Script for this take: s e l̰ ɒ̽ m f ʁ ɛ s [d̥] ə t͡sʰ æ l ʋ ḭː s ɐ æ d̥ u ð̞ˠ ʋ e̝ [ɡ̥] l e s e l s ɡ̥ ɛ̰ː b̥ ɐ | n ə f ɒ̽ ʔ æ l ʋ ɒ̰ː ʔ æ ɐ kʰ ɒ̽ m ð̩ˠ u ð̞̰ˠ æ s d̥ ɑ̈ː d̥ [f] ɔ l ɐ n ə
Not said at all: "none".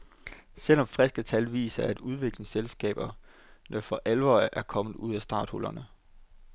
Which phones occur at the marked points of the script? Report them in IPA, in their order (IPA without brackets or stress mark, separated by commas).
ɡ̥, ɡ̥, h